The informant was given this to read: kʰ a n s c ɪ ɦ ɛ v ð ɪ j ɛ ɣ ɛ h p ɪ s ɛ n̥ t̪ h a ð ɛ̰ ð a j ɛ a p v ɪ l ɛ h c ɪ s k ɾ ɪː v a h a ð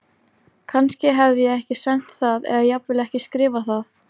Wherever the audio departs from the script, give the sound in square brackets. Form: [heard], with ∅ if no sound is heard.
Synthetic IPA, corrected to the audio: kʰ a n s c ɪ ɦ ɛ v ð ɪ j ɛ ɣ ɛ h [c] ɪ s ɛ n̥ t̪ [θ] a ð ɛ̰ ð a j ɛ a p v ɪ l ɛ h c ɪ s k ɾ ɪː v a [θ] a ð